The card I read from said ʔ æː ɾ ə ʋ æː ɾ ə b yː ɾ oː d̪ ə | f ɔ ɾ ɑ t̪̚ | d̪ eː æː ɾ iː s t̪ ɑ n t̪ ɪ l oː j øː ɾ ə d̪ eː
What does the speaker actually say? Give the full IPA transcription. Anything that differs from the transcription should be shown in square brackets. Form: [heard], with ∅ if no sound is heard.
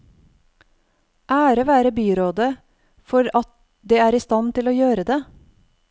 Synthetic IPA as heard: ʔ æː ɾ ə ʋ æː ɾ ə b yː ɾ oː d̪ ə | f ɔ ɾ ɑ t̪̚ | d̪ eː æː ɾ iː s t̪ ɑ n t̪ ɪ l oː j øː ɾ ə d̪ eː